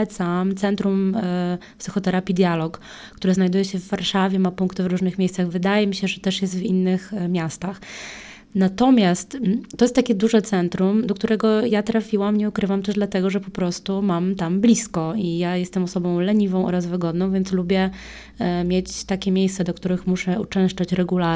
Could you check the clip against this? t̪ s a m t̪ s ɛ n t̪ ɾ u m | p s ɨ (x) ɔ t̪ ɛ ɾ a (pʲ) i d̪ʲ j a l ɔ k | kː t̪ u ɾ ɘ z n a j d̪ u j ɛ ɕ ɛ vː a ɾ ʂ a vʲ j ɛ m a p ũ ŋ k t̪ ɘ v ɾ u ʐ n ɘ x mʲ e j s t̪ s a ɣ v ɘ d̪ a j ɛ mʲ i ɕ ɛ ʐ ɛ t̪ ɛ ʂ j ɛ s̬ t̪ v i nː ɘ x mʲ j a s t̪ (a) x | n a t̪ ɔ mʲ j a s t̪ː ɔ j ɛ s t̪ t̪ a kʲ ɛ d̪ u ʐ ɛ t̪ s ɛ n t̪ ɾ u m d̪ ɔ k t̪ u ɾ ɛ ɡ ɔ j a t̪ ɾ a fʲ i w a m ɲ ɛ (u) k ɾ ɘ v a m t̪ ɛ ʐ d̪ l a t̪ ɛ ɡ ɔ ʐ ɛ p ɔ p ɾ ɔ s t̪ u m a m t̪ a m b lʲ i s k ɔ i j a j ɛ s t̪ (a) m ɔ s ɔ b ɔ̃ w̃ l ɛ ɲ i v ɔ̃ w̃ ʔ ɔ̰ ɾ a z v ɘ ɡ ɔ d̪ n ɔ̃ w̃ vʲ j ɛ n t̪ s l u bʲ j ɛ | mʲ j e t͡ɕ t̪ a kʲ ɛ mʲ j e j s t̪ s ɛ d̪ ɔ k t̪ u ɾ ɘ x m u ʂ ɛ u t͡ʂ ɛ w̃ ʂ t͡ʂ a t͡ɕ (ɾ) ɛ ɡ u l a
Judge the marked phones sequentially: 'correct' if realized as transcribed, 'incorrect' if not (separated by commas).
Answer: correct, correct, correct, correct, incorrect, correct